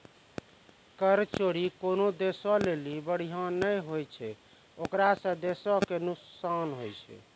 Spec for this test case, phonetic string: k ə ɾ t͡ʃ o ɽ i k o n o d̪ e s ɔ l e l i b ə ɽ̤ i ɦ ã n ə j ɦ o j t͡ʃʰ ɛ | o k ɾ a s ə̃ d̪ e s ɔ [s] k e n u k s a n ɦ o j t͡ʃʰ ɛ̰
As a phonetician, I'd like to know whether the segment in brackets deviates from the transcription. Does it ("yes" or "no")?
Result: yes